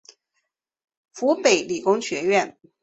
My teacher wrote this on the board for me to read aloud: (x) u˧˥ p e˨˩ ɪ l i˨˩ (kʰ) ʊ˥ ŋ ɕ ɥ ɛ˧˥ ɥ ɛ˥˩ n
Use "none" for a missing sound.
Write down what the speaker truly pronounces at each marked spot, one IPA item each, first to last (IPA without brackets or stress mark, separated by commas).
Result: f, k